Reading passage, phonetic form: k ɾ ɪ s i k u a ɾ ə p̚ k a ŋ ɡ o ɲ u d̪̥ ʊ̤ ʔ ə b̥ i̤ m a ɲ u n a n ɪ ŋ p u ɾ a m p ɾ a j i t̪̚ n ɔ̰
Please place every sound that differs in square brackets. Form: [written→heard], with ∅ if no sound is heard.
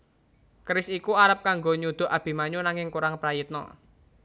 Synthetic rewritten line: k ɾ ɪ s i k u a ɾ ə p̚ k a ŋ ɡ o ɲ u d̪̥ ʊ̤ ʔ [ə→a] b̥ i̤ m a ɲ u n a [n→ŋ] ɪ ŋ [p→k] u ɾ a [m→ŋ] p ɾ a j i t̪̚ n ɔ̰